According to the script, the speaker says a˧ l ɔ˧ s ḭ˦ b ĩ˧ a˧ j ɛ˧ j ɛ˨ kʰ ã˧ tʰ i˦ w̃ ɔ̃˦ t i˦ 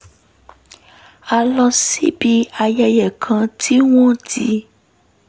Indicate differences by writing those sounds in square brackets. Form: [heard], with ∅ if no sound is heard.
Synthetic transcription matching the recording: a˧ l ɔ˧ s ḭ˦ b [i˧] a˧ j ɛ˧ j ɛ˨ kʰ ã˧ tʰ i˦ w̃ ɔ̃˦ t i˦